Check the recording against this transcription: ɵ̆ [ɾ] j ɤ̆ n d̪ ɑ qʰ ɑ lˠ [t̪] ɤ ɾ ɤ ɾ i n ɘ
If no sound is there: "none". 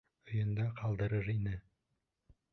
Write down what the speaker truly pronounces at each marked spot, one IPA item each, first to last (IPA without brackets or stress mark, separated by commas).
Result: none, d̪